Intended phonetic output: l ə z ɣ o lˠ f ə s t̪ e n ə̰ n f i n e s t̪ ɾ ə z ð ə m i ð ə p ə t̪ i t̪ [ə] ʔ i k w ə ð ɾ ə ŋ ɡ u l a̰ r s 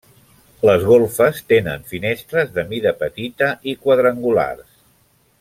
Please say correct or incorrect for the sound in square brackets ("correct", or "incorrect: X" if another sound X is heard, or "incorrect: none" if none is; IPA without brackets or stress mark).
correct